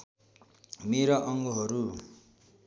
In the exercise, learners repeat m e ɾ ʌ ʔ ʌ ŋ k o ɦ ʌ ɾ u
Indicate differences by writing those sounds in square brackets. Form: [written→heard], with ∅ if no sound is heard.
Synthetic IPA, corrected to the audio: m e ɾ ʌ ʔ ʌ ŋ [k→ɡ] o ɦ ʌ ɾ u